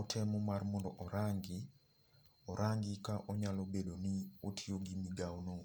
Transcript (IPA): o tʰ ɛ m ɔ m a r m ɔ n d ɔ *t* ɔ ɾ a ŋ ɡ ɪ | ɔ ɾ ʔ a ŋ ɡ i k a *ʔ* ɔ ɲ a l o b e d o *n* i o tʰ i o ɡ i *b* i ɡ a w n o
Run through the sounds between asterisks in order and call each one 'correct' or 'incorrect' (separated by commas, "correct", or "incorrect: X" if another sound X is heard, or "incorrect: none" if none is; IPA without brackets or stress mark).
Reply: incorrect: ʔ, correct, correct, incorrect: m